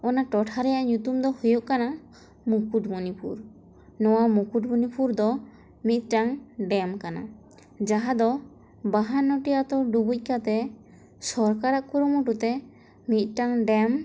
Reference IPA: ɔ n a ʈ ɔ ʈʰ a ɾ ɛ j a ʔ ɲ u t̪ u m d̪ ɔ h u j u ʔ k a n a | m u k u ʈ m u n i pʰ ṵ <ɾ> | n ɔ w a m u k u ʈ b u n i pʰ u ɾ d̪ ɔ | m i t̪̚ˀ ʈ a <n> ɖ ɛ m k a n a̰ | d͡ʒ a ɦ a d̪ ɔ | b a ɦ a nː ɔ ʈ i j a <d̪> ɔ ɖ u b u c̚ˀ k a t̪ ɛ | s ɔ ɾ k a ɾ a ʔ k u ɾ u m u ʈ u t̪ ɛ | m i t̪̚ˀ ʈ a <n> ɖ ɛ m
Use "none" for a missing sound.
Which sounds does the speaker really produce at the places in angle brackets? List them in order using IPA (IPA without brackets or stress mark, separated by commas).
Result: ɾ, ŋ, t̪, ŋ